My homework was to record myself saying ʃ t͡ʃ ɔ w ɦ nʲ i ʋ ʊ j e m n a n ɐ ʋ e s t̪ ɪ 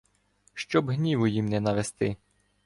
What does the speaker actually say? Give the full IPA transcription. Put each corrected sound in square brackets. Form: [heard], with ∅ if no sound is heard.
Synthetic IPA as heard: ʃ t͡ʃ ɔ [b] ɦ nʲ i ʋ ʊ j [i] m n [ɛ] n ɐ ʋ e s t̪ ɪ